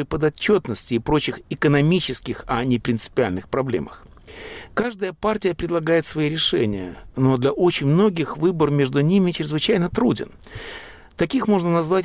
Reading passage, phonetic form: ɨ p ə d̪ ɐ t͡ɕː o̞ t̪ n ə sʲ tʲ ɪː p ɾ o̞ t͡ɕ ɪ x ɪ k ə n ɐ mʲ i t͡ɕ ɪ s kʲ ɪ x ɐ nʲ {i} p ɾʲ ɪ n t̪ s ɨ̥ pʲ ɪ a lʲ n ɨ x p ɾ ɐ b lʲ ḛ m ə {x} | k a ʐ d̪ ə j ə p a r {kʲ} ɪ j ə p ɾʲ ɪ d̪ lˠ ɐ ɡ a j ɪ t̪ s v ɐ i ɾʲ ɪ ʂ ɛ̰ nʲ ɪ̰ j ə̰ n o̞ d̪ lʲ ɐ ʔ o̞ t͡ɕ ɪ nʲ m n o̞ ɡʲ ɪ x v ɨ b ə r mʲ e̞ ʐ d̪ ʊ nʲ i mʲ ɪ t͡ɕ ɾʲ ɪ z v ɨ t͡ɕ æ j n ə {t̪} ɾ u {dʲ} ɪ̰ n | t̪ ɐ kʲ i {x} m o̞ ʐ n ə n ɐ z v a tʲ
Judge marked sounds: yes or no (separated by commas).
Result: no, yes, no, yes, yes, yes